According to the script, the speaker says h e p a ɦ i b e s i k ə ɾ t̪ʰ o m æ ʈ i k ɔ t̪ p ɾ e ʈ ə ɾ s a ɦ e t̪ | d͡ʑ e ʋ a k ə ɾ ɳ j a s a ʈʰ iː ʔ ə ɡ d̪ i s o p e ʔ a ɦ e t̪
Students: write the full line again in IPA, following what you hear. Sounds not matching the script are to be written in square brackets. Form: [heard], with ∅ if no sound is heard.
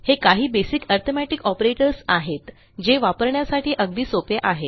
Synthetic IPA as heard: h e [k] a ɦ [iː] b e s i k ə ɾ t̪ʰ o m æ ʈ i k ɔ [∅] p ɾ e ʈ ə ɾ s a ɦ e t̪ | d͡ʑ e ʋ a [p] ə ɾ ɳ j a s a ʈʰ iː ʔ ə ɡ d̪ [iː] s o p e ʔ a ɦ e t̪

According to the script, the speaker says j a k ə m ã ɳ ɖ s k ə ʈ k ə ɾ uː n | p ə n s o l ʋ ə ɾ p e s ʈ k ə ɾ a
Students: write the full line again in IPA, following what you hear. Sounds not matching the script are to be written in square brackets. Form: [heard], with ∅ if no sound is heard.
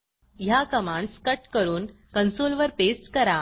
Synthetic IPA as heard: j a k ə m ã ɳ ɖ s k ə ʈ k ə ɾ uː n | [k] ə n s o l ʋ ə ɾ p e s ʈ k ə ɾ a

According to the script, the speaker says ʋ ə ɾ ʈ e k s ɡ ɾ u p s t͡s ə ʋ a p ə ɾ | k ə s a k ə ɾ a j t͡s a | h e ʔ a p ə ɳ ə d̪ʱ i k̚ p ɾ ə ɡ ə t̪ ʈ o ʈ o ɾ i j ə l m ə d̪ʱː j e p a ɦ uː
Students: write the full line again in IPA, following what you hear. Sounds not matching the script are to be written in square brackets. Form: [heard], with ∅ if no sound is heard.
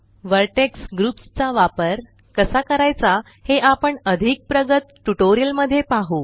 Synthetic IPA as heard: ʋ ə ɾ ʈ e k s ɡ ɾ u p s t͡s [a] ʋ a p ə ɾ | k ə s a k ə ɾ a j t͡s a | h e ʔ a p ə ɳ ə d̪ʱ i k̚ p ɾ ə ɡ ə t̪ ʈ [u] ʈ o ɾ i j ə l m ə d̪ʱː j e p a ɦ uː

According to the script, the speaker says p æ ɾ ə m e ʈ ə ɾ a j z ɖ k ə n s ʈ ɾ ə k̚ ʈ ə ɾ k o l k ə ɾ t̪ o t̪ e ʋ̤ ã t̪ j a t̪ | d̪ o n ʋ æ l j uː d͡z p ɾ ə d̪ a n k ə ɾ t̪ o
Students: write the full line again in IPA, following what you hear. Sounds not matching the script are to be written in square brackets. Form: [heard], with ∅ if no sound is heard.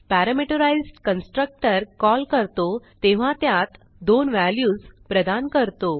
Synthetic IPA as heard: p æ ɾ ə m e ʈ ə ɾ a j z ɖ k ə n s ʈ ɾ ə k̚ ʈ ə ɾ k [ɔ] l k ə ɾ t̪ o t̪ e ʋ̤ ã t̪ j a t̪ | d̪ o n ʋ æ l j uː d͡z p ɾ ə d̪ a n k ə ɾ t̪ o

